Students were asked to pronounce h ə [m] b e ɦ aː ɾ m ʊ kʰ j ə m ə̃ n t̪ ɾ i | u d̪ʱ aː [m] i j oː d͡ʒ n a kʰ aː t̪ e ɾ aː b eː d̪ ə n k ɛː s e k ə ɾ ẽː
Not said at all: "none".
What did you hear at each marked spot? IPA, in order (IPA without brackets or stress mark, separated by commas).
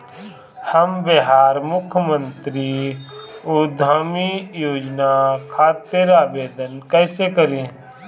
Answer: m, m